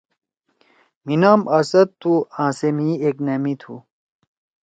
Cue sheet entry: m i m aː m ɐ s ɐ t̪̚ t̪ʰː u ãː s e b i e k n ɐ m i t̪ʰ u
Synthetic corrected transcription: m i n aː m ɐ s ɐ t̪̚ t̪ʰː u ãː s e m i e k n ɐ m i t̪ʰ u